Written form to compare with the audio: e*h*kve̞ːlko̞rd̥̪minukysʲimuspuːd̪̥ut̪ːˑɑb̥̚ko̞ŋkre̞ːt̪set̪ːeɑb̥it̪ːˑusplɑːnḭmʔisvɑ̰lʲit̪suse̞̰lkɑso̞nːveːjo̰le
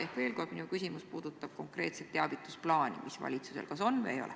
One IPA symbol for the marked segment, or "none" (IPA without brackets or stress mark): h